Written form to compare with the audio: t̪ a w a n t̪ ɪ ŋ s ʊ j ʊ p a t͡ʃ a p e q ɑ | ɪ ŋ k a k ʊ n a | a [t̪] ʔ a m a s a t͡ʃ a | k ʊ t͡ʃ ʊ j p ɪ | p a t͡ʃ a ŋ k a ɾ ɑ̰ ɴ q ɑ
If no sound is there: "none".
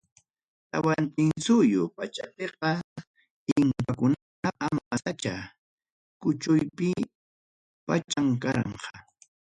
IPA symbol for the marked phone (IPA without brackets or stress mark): none